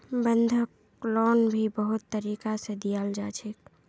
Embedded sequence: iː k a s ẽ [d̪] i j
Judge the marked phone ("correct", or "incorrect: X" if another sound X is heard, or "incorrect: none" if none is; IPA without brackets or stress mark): correct